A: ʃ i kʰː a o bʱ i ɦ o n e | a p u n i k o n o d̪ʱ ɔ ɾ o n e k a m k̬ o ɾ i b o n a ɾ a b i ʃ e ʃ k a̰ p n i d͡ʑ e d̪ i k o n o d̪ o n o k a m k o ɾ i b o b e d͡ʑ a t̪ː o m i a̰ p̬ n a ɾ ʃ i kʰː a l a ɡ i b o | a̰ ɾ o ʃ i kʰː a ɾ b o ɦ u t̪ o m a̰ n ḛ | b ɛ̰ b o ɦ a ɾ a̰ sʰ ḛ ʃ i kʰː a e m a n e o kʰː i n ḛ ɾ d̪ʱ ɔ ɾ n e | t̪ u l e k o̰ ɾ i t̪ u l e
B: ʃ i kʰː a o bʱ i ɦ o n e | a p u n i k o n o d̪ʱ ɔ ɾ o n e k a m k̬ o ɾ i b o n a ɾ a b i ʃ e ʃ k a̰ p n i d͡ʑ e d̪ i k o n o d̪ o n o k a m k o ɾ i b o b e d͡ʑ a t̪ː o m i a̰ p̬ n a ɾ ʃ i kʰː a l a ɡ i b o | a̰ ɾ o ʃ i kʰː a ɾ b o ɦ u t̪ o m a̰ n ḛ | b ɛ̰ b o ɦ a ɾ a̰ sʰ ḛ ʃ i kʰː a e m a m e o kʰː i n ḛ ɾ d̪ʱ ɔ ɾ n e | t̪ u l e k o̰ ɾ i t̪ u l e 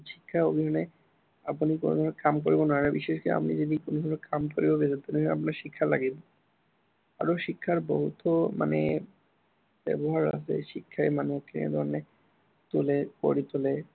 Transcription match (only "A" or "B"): A